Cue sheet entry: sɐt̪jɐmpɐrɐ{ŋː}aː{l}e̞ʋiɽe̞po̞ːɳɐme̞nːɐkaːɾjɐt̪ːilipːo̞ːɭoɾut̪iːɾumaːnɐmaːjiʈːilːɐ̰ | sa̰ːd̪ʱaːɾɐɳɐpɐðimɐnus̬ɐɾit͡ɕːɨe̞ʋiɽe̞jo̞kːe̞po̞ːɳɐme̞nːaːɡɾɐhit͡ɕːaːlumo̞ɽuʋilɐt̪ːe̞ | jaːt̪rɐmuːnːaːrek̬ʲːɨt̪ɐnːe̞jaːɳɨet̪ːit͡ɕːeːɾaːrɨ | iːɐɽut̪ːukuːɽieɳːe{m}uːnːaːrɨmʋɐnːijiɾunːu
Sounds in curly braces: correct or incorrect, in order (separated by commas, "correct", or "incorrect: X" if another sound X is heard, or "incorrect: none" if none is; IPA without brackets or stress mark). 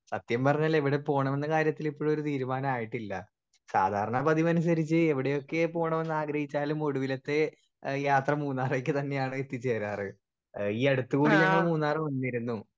incorrect: ɲː, correct, correct